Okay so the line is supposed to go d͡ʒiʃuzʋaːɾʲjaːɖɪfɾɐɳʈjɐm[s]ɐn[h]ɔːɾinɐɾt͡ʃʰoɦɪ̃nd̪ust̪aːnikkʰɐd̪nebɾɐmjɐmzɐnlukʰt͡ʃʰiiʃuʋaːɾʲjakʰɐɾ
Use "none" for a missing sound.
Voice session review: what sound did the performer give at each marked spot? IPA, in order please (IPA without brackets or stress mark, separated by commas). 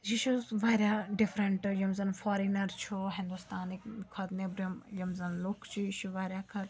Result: z, f